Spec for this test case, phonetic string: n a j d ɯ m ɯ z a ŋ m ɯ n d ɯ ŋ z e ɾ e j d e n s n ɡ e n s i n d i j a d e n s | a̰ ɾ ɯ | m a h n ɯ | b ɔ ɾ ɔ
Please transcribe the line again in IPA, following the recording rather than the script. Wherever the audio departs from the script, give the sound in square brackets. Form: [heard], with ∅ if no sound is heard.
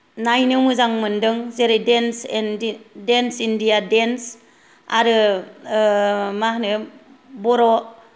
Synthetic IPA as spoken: n a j [n] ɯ m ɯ z a ŋ m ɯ n d ɯ ŋ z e ɾ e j d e n s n [d] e n s i n d i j a d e n s | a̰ ɾ ɯ | m a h n ɯ | b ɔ ɾ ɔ

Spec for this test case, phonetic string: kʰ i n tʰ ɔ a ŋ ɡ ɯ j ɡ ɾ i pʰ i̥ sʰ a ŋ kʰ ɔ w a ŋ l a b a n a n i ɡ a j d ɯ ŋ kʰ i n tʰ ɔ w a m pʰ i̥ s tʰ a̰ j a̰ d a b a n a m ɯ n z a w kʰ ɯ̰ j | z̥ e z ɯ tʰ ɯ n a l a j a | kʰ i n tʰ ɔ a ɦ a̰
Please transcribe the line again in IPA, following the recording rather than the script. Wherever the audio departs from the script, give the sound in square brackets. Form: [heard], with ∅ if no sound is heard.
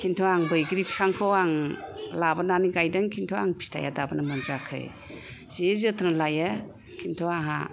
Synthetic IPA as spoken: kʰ i n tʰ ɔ a ŋ [b] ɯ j ɡ ɾ i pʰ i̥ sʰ a ŋ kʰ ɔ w a ŋ l a b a n a n i ɡ a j d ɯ ŋ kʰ i n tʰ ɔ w a [ŋ] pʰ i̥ s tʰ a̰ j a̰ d a b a n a m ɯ n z a [∅] kʰ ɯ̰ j | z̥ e z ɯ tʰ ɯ n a l a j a | kʰ i n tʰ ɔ a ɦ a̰

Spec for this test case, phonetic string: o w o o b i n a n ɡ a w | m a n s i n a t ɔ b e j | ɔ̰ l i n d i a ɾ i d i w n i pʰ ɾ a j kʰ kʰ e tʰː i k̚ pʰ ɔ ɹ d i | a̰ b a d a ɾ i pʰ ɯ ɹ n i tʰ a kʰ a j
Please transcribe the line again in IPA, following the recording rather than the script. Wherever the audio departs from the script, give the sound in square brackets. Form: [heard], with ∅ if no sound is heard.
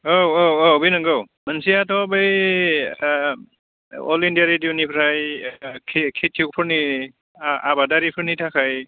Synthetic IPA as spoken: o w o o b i n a [ŋ] ɡ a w | m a n s i [∅] a t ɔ b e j | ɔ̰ l i n d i a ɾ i d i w n i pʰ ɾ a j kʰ kʰ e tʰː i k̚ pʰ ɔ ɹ [n] i | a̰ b a d a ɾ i pʰ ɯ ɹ n i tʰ a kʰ a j

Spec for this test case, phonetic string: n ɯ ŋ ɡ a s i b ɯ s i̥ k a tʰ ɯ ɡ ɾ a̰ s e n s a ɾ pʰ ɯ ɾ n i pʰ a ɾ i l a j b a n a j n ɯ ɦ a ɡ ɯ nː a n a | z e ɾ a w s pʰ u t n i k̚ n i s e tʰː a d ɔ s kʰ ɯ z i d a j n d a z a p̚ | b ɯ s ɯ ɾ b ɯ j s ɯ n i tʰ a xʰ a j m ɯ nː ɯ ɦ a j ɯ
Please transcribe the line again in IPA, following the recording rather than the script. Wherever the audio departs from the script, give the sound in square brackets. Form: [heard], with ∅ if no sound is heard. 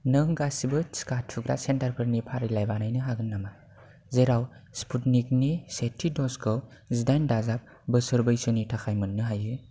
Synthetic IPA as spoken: n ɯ ŋ ɡ a s i b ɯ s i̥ k a tʰ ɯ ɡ ɾ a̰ s e n [t] a ɾ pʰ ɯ ɾ n i pʰ a ɾ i l a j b a n a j n ɯ ɦ a ɡ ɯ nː a [m] a | z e ɾ a w s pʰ u t n i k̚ n i s e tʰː [i] d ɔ s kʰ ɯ z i d a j n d a z a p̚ | b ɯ s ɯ ɾ b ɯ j s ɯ n i tʰ a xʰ a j m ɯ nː ɯ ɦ a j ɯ

